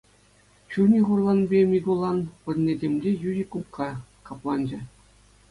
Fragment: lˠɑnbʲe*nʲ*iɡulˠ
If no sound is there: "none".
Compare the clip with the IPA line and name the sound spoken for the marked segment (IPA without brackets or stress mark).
mʲ